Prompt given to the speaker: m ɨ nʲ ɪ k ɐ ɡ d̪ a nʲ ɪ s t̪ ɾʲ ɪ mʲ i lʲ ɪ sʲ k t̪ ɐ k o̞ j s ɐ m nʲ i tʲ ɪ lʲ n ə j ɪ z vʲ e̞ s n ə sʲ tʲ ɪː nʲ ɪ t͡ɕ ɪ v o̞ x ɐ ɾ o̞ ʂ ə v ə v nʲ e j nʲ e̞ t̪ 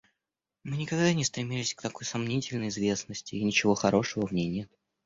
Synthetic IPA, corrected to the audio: m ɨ nʲ ɪ k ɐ ɡ d̪ a nʲ ɪ s t̪ ɾʲ ɪ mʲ i lʲ ɪ sʲ k t̪ ɐ k o̞ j s ɐ m nʲ i tʲ ɪ lʲ n ə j ɪ z vʲ e̞ s n ə sʲ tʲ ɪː nʲ ɪ t͡ɕ ɪ v o̞ x ɐ ɾ o̞ ʂ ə v ə v nʲ e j nʲ e̞ t̪